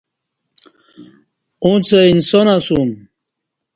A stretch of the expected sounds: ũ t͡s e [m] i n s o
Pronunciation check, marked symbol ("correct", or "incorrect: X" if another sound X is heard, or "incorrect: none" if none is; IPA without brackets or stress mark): incorrect: none